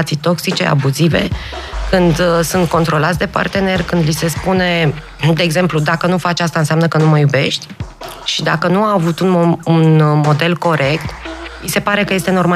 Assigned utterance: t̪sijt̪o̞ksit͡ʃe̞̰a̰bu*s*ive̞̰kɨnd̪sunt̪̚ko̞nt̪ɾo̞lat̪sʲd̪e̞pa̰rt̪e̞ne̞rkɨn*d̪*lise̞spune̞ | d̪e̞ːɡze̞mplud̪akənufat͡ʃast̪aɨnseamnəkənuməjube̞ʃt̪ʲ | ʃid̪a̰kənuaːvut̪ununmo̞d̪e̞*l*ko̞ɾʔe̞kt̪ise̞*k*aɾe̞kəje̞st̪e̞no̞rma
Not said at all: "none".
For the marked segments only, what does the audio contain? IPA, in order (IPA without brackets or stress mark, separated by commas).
z, d̪, l, p